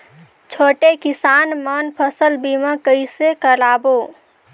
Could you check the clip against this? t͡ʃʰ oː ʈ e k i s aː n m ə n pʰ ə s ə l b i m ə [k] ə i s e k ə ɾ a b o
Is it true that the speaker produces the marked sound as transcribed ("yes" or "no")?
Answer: yes